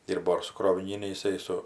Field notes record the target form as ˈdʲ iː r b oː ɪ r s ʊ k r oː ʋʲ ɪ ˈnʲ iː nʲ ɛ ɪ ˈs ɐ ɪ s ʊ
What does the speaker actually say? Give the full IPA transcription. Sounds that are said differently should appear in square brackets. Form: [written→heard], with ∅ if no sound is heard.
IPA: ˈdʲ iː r b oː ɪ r s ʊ k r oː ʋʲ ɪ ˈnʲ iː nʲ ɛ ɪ ˈs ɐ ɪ s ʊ